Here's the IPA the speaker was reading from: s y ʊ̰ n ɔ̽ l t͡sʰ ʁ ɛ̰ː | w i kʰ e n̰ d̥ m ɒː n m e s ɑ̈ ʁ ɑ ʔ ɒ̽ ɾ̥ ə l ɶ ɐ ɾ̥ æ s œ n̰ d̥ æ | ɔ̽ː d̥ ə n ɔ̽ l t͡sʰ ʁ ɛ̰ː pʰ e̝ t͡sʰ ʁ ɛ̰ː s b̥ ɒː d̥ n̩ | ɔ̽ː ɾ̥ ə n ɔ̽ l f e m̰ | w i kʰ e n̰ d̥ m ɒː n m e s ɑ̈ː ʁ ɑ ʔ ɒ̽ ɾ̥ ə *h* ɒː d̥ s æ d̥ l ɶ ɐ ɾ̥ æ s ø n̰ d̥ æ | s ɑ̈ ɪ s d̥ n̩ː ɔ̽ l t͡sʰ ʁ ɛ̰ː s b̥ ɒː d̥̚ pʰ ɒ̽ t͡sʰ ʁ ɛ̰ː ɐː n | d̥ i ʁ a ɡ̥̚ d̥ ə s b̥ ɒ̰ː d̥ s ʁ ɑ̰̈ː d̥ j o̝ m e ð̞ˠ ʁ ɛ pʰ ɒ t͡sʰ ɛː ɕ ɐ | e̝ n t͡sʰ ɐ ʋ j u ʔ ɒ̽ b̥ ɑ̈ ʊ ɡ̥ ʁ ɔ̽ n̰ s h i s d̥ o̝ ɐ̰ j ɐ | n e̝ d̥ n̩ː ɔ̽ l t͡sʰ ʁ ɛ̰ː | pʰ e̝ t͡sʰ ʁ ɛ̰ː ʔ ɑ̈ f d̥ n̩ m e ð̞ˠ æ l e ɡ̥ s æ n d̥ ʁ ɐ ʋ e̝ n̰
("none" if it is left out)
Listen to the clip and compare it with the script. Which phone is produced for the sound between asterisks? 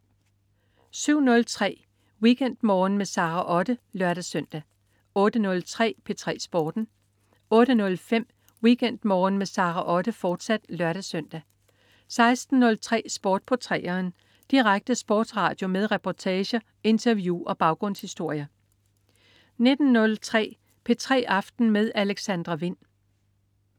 f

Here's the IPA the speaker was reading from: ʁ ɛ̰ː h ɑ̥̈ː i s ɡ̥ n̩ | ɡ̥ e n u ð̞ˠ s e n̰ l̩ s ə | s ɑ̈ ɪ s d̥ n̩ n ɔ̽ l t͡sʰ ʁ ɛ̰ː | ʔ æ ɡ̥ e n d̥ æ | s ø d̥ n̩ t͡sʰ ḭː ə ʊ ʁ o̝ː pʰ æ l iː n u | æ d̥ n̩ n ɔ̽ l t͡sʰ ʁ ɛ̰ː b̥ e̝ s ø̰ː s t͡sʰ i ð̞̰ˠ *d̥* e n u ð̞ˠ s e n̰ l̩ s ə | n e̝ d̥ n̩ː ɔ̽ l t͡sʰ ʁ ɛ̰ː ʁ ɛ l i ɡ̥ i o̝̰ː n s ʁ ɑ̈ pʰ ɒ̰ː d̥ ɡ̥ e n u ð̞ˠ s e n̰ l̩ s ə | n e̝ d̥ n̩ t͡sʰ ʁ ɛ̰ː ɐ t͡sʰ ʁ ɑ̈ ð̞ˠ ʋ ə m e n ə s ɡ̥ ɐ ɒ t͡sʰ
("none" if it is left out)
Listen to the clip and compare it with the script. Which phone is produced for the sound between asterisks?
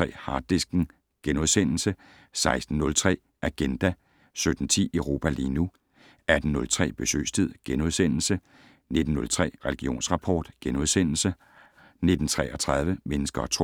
ɡ̥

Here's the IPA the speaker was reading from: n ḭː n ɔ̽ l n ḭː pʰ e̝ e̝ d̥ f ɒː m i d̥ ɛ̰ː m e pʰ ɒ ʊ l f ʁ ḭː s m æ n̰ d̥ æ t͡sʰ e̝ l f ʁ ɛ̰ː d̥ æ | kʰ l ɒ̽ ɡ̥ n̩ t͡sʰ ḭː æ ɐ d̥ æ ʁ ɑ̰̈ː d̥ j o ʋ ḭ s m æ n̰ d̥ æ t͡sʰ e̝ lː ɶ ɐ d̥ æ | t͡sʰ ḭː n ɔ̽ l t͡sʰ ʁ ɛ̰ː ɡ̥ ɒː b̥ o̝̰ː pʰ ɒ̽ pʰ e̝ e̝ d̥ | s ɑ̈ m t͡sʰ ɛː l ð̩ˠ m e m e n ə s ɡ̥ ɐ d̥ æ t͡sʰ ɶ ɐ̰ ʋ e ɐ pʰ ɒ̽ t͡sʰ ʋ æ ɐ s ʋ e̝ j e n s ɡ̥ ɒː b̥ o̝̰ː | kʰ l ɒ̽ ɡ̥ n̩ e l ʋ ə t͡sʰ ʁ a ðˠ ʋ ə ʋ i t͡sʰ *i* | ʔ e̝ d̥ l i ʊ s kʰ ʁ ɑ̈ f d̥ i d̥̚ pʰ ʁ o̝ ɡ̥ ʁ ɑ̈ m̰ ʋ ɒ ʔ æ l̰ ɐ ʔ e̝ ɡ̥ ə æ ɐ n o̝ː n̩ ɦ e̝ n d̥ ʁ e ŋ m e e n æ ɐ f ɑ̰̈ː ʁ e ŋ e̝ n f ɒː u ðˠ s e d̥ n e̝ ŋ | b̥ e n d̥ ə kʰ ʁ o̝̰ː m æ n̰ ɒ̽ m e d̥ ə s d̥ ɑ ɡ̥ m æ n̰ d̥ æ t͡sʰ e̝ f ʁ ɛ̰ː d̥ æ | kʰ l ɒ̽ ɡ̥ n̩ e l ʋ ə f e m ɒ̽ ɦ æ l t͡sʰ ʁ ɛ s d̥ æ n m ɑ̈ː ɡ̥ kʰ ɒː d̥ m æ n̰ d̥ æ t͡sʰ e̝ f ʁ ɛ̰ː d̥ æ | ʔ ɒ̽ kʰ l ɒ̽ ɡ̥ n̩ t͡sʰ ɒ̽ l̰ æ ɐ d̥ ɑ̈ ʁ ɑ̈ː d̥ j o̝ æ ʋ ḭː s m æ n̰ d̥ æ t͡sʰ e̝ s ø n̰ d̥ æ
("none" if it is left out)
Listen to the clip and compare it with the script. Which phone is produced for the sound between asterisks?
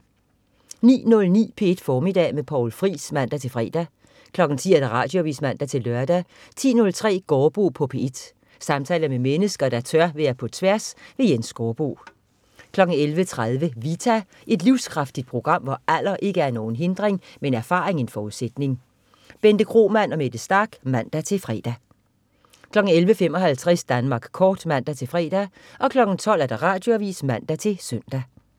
æ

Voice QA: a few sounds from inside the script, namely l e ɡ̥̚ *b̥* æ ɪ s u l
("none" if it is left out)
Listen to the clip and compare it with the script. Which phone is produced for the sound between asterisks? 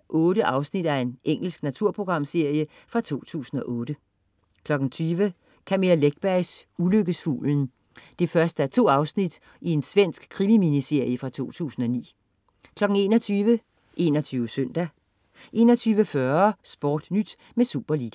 b̥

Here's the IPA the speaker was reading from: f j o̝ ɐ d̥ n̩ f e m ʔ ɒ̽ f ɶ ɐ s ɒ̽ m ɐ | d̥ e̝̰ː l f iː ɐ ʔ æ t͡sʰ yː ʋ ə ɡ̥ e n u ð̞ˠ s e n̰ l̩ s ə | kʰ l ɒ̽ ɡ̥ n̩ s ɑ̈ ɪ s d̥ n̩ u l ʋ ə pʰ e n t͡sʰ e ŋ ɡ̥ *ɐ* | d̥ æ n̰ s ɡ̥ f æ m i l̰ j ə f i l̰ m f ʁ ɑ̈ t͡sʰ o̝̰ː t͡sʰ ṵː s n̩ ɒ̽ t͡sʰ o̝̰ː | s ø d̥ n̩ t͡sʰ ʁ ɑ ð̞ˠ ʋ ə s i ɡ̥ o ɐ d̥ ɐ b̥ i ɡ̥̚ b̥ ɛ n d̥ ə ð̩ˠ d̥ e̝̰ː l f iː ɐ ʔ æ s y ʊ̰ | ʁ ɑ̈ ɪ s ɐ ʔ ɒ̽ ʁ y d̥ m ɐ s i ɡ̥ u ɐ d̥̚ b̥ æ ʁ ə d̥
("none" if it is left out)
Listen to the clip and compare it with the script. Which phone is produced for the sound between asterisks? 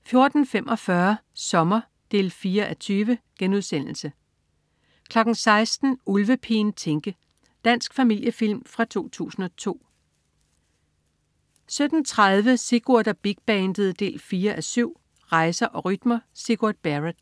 ə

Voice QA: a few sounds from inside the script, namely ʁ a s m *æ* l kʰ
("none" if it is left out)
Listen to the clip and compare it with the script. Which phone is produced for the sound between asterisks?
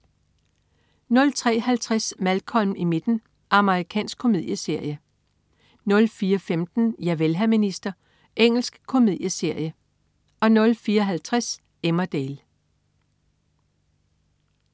æ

